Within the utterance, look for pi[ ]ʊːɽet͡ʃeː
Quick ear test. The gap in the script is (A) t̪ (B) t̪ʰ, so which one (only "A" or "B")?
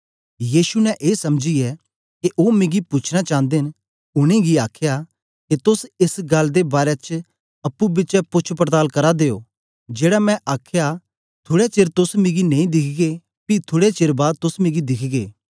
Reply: B